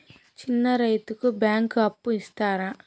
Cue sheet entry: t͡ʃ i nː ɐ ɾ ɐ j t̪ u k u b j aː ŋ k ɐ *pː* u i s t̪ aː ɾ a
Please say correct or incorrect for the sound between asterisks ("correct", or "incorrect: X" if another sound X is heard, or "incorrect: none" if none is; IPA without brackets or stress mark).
correct